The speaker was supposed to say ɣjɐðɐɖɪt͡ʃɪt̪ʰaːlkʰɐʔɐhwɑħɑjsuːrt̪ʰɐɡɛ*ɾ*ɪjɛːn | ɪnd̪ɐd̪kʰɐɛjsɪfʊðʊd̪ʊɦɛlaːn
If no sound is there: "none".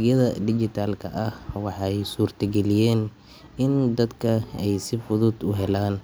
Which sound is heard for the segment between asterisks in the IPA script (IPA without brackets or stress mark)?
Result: l